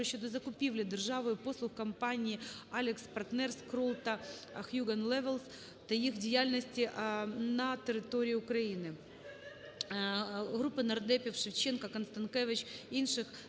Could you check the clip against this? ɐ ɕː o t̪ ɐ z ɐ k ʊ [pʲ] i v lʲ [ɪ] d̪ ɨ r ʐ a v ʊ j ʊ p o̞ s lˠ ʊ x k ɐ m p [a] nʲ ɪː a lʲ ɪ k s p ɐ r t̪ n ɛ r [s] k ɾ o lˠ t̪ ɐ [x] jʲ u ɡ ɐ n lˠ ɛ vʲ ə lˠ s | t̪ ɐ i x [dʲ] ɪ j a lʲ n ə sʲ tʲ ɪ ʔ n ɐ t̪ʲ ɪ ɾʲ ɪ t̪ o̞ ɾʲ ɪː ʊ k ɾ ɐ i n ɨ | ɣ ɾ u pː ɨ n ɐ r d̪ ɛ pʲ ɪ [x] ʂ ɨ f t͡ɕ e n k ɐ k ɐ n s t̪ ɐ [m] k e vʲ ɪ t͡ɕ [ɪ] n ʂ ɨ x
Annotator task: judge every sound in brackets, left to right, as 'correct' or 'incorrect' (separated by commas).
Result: correct, correct, correct, correct, correct, correct, incorrect, incorrect, incorrect